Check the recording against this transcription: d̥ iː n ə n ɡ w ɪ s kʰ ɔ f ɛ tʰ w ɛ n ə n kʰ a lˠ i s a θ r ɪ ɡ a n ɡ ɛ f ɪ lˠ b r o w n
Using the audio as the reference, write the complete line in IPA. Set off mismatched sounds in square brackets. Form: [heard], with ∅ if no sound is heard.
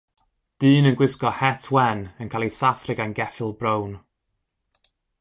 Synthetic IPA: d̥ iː n ə n ɡ w ɪ s [k] ɔ [h] ɛ tʰ w ɛ n ə n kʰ a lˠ i s a θ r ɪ ɡ a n ɡ ɛ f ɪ lˠ b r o w n